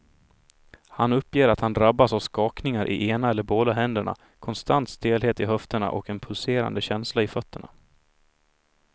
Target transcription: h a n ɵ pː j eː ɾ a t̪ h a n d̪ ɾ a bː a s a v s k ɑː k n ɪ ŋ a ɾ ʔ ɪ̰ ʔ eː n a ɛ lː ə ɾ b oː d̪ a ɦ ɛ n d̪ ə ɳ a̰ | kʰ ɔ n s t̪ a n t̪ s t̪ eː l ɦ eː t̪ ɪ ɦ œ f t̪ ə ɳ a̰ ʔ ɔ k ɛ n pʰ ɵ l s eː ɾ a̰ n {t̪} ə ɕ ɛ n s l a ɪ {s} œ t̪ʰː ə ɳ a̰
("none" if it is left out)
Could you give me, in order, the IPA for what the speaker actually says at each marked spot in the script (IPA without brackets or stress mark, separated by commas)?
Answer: d̪, f